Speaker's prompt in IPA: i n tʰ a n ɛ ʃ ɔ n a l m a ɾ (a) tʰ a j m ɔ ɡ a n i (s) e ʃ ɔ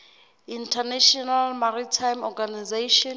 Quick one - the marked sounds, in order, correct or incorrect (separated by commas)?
incorrect, incorrect